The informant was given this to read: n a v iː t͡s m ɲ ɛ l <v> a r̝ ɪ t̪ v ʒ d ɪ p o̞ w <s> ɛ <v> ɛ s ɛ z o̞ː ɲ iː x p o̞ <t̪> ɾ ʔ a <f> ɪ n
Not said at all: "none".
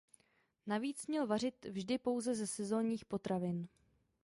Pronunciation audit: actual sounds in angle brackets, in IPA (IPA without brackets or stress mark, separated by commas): v, z, z, t̪, v